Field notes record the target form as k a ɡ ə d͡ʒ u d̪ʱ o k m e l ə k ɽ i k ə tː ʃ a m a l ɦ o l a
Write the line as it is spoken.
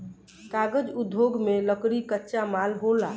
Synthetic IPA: k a ɡ ə d͡ʒ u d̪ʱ o ɡ m e l ə k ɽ i k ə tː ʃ a m a l ɦ o l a

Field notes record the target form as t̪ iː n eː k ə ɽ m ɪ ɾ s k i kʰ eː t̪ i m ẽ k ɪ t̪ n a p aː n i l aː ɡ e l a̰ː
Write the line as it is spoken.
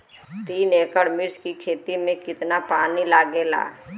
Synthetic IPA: t̪ iː n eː k ə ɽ m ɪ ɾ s k i kʰ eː t̪ i m ẽ k ɪ t̪ n a p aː n i l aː ɡ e l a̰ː

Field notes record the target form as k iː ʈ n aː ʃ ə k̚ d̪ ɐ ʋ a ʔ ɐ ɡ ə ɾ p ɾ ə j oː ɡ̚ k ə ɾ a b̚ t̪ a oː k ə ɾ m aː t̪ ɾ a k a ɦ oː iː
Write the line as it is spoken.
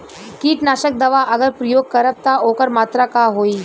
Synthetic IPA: k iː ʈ n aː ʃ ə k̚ d̪ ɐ ʋ a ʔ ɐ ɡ ə ɾ p ɾ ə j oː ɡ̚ k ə ɾ ə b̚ t̪ a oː k ə ɾ m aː t̪ ɾ a k a ɦ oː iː

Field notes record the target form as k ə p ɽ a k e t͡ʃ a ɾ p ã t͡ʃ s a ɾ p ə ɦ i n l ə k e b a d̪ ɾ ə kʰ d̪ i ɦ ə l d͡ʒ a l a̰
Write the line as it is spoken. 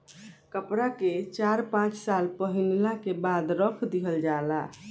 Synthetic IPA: k ə p ɾ a k e t͡ʃ a ɾ p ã t͡ʃ s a l p ə ɦ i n l a k e b a d̪ ɾ ə kʰ d̪ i ɦ ə l d͡ʒ a l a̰

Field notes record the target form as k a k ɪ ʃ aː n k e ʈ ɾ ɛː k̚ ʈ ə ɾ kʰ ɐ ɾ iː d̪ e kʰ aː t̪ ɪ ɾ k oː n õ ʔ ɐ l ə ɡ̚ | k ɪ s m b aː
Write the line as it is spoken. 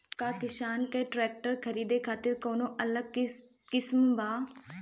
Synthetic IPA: k a k ɪ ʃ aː n k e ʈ ɾ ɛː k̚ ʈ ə ɾ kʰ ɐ ɾ iː d̪ e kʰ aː t̪ ɪ ɾ k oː n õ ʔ ɐ l ə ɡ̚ | k ɪ s m b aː

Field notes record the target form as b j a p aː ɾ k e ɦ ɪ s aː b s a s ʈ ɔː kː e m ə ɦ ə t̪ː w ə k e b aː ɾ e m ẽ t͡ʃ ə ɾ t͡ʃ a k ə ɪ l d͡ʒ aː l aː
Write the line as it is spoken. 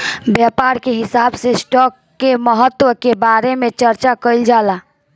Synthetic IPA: b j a p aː ɾ k e ɦ ɪ s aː b s e s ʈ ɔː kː e m ə ɦ ə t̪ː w ə k e b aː ɾ e m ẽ t͡ʃ ə ɾ t͡ʃ a k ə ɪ l d͡ʒ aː l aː

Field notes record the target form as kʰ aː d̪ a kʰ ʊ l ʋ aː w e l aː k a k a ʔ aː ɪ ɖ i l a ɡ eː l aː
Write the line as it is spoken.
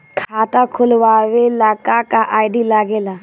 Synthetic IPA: kʰ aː t̪ a kʰ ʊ l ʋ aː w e l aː k a k a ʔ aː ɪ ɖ i l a ɡ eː l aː

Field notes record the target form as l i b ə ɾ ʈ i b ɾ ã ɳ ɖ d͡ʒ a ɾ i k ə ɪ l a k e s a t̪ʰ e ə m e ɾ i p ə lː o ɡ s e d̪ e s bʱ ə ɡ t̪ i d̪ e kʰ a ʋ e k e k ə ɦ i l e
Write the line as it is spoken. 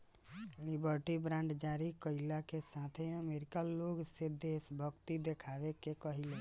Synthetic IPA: l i b ə ɾ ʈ i b ɾ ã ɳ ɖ d͡ʒ a ɾ i k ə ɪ l a k e s a t̪ʰ e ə m e ɾ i k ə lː o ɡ s e d̪ e s bʱ ə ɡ t̪ i d̪ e kʰ a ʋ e k e k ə ɦ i l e

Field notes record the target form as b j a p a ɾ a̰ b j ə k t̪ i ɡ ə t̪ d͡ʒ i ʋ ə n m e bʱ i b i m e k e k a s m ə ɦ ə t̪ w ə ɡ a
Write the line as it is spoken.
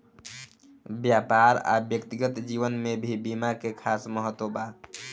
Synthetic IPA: b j a p a ɾ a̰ b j ə k t̪ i ɡ ə t̪ d͡ʒ i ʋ ə n m e bʱ i b i m a k e kʰ a s m ə ɦ ə t̪ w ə b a

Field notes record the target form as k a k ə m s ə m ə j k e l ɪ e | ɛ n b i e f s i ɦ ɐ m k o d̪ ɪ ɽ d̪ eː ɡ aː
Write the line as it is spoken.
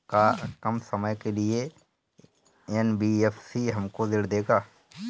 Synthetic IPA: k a k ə m s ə m ə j k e l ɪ e | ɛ n b i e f s i ɦ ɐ m k o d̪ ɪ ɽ d̪ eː ɡ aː

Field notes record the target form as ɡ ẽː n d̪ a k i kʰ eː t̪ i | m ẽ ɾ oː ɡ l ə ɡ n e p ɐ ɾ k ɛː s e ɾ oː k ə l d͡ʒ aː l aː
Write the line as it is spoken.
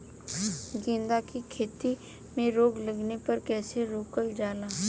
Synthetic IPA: ɡ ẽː n d̪ a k i kʰ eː t̪ i | m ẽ ɾ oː ɡ l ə ɡ n e p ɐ ɾ k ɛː s e ɾ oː k ə l d͡ʒ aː l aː

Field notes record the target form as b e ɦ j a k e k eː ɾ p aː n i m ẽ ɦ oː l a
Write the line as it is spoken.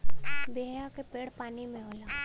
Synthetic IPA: b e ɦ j a k e p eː ɽ p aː n i m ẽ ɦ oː l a

